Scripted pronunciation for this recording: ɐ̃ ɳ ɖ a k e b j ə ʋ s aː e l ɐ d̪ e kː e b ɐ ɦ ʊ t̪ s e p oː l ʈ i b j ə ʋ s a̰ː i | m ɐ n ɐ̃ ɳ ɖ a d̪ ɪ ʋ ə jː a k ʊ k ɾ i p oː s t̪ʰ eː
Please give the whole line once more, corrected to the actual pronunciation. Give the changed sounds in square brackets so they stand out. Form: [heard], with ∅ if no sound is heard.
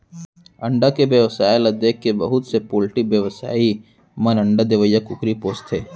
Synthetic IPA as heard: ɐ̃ ɳ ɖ a k e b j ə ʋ s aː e l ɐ d̪ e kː e b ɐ ɦ ʊ t̪ s e p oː l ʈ i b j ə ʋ s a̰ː i | m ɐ n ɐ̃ ɳ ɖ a d̪ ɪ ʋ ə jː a k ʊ k ɾ i p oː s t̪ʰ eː